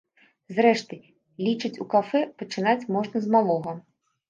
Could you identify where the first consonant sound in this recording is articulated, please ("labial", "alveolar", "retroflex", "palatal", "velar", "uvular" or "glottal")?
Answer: alveolar